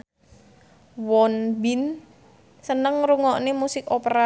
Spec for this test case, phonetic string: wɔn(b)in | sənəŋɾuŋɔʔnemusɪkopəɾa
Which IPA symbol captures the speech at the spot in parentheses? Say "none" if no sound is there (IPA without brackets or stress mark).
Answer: b